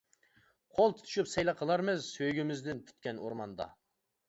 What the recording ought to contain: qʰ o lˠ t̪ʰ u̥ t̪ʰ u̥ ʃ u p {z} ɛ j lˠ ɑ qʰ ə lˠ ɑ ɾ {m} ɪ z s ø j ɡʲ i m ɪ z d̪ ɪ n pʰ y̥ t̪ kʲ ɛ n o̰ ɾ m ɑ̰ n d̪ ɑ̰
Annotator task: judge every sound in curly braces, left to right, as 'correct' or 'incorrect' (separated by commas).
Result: incorrect, correct